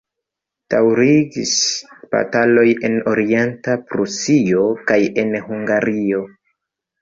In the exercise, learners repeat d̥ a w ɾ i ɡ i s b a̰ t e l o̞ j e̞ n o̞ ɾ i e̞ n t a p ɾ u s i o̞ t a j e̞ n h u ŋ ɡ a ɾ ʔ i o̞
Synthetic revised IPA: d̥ a w ɾ i ɡ i s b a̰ t a l o̞ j e̞ n o̞ ɾ i e̞ n t a p ɾ u s i o̞ k a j e̞ n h u ŋ ɡ a ɾ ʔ i o̞